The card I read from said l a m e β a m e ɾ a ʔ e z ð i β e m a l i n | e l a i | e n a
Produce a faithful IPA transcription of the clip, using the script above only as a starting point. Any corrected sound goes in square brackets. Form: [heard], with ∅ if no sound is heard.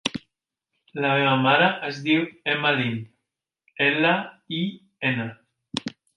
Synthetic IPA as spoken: l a m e β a m [a] ɾ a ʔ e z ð i [w] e m a l i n | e l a i | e n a